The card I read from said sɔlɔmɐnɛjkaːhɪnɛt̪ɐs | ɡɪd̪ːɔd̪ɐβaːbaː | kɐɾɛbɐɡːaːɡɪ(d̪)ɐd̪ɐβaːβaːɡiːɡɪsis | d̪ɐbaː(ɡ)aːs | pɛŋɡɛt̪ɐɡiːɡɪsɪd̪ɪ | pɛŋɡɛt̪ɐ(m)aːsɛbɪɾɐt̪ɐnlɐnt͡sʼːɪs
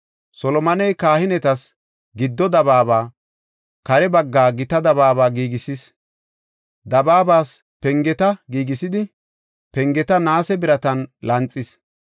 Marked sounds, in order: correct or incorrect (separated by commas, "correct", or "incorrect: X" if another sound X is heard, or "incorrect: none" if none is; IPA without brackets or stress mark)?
incorrect: t̪, incorrect: b, incorrect: n